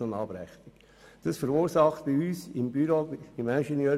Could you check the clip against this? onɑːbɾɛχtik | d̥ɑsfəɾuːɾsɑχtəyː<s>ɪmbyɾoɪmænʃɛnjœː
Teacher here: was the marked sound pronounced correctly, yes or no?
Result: yes